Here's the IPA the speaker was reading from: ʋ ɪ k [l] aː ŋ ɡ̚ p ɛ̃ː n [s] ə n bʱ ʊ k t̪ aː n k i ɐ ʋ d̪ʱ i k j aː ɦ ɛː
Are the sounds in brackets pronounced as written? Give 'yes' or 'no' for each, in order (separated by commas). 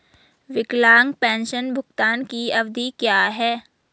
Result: yes, no